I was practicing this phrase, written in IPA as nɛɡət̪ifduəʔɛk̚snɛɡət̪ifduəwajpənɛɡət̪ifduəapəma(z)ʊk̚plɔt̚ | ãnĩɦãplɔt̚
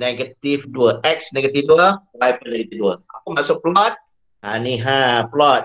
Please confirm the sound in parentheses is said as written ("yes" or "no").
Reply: no